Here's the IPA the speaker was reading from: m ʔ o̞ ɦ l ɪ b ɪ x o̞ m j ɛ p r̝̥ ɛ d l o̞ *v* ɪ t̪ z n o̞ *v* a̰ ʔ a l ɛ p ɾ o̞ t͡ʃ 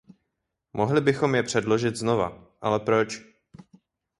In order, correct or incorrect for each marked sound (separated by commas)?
incorrect, correct